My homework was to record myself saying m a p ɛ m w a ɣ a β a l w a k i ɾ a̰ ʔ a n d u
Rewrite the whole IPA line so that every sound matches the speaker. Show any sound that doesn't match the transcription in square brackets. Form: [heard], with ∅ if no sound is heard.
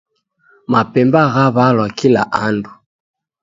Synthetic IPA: m a p ɛ m [b] a ɣ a β a l w a k i [l] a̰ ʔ a n d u